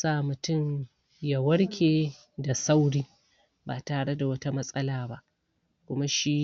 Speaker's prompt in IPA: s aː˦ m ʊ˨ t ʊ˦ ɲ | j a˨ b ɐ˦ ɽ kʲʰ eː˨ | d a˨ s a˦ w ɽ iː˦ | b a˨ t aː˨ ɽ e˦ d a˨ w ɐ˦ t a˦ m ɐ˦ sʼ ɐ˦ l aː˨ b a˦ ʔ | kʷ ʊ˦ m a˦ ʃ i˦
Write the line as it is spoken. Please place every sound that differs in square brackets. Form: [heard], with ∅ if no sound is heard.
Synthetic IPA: s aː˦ m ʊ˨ t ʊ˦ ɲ | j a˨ [w] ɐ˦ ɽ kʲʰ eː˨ | d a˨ s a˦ w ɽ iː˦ | b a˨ t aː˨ ɽ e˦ d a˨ w ɐ˦ t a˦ m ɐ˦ sʼ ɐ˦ l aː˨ b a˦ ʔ | kʷ ʊ˦ m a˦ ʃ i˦